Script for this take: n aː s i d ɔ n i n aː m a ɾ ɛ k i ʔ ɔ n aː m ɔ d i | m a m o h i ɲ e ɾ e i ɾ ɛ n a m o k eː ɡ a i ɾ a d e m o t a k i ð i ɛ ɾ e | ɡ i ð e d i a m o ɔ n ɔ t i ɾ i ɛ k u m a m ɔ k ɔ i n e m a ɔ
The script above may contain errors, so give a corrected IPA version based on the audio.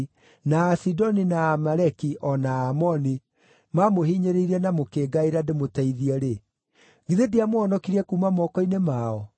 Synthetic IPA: n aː s i d ɔ n i n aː m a ɾ ɛ k i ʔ ɔ n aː m ɔ n i | m a m o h i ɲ e ɾ e i ɾ ɛ n a m o k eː ɡ a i ɾ a d e m o t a i ð i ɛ ɾ e | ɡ i ð e d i a m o ɔ n ɔ k i ɾ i ɛ k u m a m ɔ k ɔ i n e m a ɔ

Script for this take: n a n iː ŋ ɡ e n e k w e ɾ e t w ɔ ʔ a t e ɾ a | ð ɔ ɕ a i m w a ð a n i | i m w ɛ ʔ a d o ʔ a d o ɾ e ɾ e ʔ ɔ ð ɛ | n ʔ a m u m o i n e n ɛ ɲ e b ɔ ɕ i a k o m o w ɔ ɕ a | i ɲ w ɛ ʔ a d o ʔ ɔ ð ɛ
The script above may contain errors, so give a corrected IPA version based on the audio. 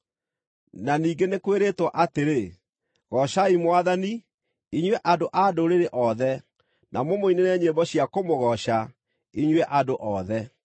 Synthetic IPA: n a n iː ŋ ɡ e n e k w e ɾ e t w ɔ ʔ a t e ɾ e | ɣ ɔ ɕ a i m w a ð a n i | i ɲ w ɛ ʔ a d o ʔ a d o ɾ e ɾ e ʔ ɔ ð ɛ | n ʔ a m o m o i n e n ɛ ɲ e b ɔ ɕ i a k o m o ɣ ɔ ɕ a | i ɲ w ɛ ʔ a d o ʔ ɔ ð ɛ

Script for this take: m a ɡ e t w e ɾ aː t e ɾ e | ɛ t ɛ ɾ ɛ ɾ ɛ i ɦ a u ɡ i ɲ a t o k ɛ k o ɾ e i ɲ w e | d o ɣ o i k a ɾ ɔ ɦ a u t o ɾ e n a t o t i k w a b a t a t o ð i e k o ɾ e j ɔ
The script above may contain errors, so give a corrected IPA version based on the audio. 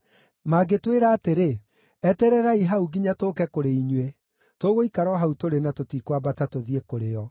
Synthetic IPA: m a ɡ e t w e ɾ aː t e ɾ e | ɛ t ɛ ɾ ɛ ɾ a i ɦ a u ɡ i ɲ a t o k ɛ k o ɾ e i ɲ w e | t o ɣ o i k a ɾ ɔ ɦ a u t o ɾ e n a t o t i k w a b a t a t o ð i e k o ɾ e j ɔ

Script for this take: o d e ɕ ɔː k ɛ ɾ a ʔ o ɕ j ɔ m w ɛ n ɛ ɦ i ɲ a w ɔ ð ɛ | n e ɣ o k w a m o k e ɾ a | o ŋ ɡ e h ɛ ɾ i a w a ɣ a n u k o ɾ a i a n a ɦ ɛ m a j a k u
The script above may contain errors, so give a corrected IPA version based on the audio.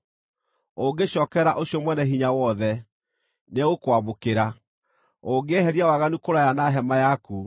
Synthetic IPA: o ɡ e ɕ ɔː k ɛ ɾ a ʔ o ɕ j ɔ m w ɛ n ɛ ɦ i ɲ a w ɔ ð ɛ | n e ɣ o k w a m o k e ɾ a | o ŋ ɡ e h ɛ ɾ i a w a ɣ a n u k o ɾ a j a n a ɦ ɛ m a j a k u

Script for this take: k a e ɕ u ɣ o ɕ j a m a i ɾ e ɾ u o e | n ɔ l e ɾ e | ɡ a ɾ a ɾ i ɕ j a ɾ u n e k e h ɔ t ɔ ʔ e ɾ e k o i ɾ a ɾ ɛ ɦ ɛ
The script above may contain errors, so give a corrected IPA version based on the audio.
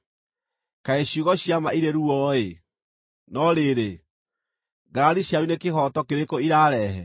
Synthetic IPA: k a e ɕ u ɣ ɔ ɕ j a m a i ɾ e ɾ u ɔ e | n ɔ ɾ e ɾ e | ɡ a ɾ a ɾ i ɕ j a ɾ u n e k e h ɔ t ɔ k e ɾ e k o i ɾ a ɾ ɛ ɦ ɛ

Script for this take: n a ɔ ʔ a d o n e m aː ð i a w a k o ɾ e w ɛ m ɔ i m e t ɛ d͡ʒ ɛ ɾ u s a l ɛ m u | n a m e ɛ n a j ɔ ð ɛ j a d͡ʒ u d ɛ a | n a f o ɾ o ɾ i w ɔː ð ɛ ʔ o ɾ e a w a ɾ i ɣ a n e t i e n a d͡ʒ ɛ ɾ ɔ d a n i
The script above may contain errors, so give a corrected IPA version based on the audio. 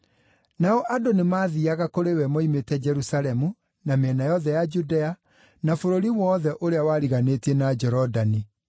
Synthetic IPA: n a ɔ ʔ a d o n e m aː ð i a ɣ a k o ɾ e w ɛ m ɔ i m e t ɛ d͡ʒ ɛ ɾ u s a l ɛ m u | n a m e ɛ n a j ɔ ð ɛ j a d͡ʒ u d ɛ a | n a f o ɾ o ɾ i w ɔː ð ɛ ʔ o ɾ e a w a ɾ i ɣ a n e t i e n a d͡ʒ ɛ ɾ ɔ d a n i

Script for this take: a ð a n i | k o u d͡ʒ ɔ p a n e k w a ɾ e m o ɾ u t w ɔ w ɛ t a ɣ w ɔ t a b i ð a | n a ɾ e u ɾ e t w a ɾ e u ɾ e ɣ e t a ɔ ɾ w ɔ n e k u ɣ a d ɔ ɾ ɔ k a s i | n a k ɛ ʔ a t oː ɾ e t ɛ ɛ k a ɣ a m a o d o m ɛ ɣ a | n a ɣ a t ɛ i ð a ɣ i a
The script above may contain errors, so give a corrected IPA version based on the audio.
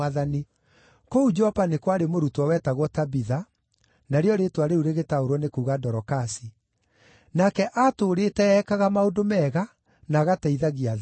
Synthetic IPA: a ð a n i | k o u d͡ʒ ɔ p a n e k w a ɾ e m o ɾ u t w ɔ w ɛ t a ɣ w ɔ t a b i ð a | n a ɾ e ɔ ɾ e t w a ɾ e u ɾ e ɣ e t a o ɾ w ɔ n e k u ɣ a d ɔ ɾ ɔ k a s i | n a k ɛ ʔ a t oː ɾ e t ɛ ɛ k a ɣ a m a o d o m ɛ ɣ a | n a ɣ a t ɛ i ð a ɣ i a

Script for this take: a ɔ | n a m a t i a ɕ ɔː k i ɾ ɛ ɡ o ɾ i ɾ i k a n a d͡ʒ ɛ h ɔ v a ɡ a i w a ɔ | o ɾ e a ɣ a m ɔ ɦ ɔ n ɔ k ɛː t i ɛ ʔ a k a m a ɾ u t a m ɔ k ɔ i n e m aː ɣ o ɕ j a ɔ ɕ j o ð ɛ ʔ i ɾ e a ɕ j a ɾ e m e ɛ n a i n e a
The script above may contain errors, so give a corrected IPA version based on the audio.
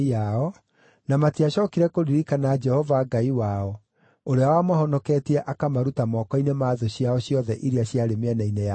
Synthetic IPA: a ɔ | n a m a t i a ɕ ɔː k i ɾ ɛ k o ɾ i ɾ i k a n a d͡ʒ ɛ h ɔ v a ɡ a i w a ɔ | o ɾ e a w a m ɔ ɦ ɔ n ɔ k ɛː t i ɛ ʔ a k a m a ɾ u t a m ɔ k ɔ i n e m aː ð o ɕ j a ɔ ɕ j ɔ ð ɛ ʔ i ɾ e a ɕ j a ɾ e m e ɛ n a i n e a

